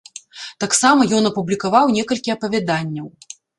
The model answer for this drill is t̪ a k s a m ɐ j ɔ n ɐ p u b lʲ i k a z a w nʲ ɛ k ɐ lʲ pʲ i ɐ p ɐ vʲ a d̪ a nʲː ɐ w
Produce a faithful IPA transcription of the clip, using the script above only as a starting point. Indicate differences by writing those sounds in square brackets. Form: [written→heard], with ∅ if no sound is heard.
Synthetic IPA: t̪ a k s a m ɐ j ɔ n ɐ p u b lʲ i k a [z→v] a w nʲ ɛ k ɐ lʲ [pʲ→kʲ] i ɐ p ɐ vʲ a d̪ a nʲː ɐ w